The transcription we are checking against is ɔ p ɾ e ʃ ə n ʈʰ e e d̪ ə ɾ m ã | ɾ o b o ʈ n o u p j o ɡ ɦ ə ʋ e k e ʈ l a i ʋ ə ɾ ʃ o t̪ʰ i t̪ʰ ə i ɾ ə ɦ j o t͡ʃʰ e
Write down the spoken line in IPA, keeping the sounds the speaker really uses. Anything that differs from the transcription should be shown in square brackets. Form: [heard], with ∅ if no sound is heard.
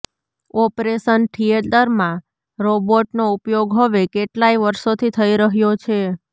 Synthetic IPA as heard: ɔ p ɾ e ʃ ə n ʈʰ [i] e d̪ ə ɾ m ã | ɾ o b o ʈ n o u p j o ɡ ɦ ə ʋ e k e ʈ l a i ʋ ə ɾ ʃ o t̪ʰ i t̪ʰ ə i ɾ ə ɦ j o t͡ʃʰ e